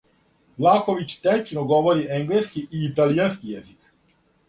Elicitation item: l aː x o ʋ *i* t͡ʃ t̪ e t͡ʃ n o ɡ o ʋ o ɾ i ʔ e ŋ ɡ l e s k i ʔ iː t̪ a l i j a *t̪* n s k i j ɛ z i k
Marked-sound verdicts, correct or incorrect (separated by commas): correct, incorrect